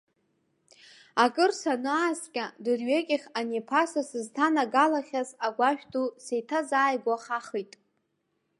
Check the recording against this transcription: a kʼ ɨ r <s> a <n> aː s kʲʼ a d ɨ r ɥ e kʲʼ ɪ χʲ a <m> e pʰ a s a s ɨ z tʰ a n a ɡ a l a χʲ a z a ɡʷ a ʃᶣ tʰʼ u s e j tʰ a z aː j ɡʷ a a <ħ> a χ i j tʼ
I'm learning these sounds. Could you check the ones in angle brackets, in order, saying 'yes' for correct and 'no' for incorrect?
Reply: yes, yes, no, no

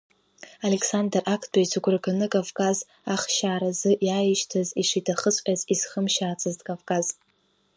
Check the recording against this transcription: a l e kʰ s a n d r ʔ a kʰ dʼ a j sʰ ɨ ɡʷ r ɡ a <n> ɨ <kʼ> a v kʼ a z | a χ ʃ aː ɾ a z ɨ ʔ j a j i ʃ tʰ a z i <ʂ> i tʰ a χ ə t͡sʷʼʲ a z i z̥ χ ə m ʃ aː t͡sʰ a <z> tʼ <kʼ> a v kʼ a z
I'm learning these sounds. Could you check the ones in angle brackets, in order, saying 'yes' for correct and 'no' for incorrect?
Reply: yes, yes, yes, yes, yes

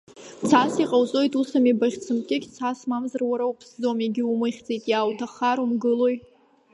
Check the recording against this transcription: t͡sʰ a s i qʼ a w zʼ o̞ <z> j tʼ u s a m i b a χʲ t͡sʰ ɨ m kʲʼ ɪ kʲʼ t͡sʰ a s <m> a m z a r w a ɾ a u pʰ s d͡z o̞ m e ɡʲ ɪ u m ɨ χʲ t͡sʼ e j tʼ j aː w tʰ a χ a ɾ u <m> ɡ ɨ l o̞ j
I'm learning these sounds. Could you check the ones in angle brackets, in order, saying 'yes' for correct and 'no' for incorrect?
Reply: no, yes, yes

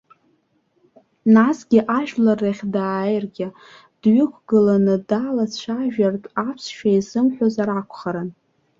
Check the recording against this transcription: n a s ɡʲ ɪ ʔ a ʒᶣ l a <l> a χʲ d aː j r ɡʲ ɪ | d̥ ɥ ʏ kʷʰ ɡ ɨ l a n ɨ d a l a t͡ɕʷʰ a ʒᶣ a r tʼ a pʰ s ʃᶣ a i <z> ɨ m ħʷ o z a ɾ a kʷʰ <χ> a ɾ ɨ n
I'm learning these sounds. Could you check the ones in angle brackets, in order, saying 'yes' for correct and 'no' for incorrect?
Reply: no, yes, yes

